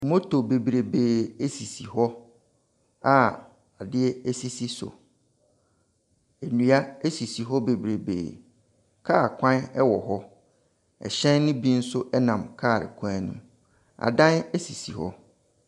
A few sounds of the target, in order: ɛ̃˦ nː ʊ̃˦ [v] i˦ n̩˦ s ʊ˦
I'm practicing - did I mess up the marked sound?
yes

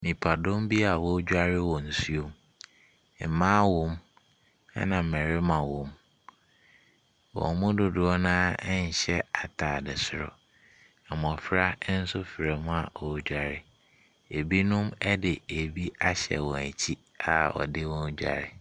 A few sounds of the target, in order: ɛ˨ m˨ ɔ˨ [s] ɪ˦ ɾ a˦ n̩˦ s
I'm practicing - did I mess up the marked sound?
yes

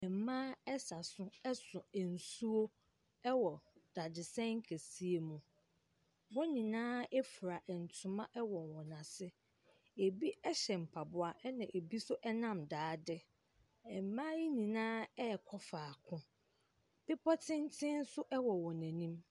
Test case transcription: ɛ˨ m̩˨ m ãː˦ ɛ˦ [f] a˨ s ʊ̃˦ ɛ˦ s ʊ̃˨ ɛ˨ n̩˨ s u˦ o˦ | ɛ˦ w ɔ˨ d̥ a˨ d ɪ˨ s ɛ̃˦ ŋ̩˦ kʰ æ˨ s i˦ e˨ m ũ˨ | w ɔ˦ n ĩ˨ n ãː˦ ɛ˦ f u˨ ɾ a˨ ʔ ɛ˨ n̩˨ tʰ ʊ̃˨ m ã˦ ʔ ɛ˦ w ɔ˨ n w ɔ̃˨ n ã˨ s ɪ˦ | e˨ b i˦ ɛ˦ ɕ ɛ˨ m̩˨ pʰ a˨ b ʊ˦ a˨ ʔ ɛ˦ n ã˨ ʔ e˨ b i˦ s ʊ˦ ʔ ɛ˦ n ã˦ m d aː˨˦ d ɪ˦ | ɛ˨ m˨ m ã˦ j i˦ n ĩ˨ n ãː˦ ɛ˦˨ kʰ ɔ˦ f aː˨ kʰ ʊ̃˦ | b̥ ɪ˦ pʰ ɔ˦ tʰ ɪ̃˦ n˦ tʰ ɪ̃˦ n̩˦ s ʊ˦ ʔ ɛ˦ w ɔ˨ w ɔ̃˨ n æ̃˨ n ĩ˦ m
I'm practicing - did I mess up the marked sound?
yes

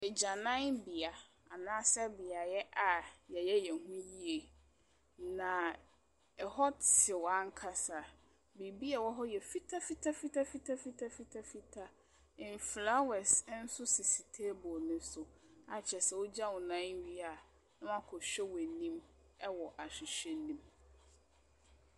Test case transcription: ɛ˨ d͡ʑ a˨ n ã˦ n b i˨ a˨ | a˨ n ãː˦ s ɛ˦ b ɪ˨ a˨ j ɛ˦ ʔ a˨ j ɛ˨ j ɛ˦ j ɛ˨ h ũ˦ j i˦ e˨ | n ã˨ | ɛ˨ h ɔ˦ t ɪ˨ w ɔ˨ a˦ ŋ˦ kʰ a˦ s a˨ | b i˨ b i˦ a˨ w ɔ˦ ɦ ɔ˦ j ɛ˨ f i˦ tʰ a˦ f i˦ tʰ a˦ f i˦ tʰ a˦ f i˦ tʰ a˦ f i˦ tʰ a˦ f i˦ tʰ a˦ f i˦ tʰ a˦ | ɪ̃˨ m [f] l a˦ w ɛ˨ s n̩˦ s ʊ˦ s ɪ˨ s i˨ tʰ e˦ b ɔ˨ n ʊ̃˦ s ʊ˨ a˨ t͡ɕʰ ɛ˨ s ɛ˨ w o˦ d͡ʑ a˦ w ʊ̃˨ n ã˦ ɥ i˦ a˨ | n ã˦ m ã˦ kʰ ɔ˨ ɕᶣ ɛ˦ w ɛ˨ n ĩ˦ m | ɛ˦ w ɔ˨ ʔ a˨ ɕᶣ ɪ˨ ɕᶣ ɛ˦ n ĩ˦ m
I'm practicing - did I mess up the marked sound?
no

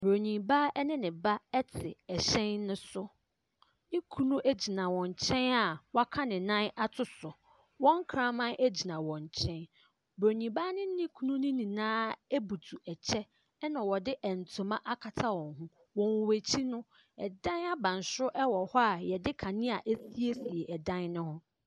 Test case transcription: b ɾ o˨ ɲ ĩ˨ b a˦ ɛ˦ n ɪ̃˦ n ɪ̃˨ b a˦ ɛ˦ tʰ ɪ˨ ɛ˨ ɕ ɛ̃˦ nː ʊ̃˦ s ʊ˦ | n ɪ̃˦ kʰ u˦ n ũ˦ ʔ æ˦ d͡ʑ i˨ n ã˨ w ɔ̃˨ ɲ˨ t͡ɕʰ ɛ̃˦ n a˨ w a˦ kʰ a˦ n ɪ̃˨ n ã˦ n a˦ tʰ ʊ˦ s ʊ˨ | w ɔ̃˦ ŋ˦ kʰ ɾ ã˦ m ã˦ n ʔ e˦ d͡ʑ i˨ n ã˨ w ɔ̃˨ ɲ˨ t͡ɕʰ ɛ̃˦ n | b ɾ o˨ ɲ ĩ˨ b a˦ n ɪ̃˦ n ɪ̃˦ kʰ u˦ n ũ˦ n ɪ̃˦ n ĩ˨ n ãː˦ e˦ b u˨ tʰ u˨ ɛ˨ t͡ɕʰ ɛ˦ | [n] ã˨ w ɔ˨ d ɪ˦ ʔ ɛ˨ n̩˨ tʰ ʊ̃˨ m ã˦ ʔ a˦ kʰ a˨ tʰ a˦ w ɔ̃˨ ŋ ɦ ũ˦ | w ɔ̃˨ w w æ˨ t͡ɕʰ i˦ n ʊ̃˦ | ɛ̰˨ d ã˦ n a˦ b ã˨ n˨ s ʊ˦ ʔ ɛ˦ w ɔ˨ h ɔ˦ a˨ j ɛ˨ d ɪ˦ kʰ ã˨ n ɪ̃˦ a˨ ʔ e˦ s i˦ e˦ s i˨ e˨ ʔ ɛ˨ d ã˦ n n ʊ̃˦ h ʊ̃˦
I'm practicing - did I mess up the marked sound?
no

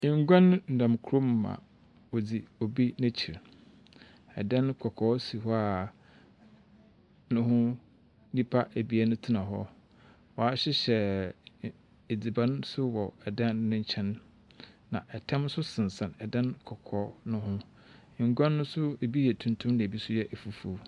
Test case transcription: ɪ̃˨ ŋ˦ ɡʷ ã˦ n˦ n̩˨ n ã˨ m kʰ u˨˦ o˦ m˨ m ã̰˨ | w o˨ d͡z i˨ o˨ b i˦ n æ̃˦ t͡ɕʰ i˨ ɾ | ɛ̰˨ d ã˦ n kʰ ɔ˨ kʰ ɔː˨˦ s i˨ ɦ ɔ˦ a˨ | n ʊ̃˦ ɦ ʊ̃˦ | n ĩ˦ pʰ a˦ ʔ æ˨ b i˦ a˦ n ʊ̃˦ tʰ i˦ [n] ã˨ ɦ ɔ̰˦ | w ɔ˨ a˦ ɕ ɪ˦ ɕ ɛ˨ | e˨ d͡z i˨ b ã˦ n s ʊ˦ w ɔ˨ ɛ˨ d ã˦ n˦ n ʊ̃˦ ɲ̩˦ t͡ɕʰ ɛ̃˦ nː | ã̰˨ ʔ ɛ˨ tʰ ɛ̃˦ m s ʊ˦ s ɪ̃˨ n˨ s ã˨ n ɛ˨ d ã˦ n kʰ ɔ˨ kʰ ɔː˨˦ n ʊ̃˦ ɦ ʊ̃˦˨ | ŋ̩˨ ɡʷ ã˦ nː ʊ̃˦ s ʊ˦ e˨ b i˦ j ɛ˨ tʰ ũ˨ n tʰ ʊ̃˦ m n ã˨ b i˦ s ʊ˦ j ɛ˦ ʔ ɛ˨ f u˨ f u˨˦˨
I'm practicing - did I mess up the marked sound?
no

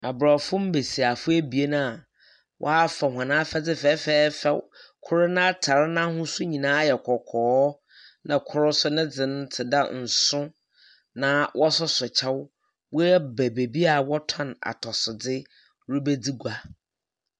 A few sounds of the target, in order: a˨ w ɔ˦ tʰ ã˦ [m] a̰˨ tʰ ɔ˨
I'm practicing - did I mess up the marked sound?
yes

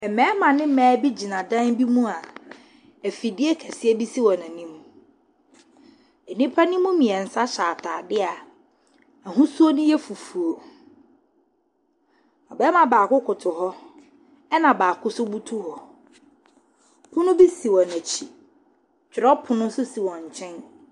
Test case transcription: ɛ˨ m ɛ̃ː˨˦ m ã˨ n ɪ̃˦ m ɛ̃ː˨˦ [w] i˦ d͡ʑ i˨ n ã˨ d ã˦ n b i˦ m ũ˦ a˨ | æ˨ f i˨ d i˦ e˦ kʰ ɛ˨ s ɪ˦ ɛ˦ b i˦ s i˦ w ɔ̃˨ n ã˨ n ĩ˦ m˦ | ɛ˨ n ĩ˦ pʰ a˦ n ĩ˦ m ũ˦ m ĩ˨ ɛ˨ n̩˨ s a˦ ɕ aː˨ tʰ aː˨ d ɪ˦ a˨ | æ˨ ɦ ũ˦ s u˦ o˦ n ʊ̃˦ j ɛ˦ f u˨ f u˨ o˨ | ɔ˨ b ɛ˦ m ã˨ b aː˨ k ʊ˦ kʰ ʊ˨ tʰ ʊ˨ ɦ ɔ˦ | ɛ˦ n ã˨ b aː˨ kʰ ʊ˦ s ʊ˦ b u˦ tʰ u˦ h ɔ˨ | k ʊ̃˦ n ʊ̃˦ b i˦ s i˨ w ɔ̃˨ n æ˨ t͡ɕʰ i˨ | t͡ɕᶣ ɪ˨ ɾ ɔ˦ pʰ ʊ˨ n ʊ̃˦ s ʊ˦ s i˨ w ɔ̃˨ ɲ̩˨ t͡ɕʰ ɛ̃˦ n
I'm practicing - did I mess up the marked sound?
yes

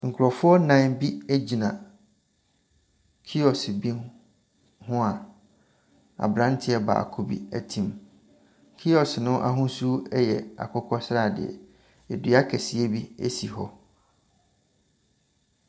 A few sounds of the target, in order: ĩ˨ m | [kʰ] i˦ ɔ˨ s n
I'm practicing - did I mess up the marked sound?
no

